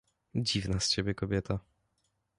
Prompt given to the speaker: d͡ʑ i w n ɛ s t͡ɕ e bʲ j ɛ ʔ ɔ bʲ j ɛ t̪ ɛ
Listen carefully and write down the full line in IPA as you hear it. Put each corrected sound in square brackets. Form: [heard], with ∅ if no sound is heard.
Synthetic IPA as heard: d͡ʑ i [v] n [a] s t͡ɕ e bʲ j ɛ [k] ɔ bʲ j ɛ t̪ [a]